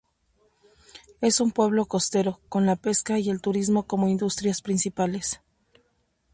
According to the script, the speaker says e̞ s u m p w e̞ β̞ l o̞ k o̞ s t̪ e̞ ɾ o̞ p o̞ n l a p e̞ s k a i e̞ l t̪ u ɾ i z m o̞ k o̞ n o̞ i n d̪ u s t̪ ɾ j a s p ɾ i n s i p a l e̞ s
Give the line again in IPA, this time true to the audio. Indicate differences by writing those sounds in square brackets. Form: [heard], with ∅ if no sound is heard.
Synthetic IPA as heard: e̞ s u m p w e̞ β̞ l o̞ k o̞ s t̪ e̞ ɾ o̞ [k] o̞ n l a p e̞ s k a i e̞ l t̪ u ɾ i z m o̞ k o̞ [m] o̞ i n d̪ u s t̪ ɾ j a s p ɾ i n s i p a l e̞ s